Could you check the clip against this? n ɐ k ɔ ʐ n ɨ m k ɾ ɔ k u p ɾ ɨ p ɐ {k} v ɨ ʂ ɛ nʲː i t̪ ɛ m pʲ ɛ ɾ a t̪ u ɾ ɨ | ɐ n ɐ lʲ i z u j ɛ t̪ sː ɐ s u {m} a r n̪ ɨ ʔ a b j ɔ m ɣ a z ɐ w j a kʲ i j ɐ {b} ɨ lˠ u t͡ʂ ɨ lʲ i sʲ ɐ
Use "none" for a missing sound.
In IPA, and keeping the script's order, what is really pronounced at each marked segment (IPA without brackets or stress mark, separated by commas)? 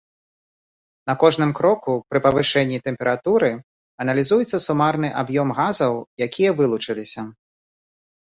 none, m, v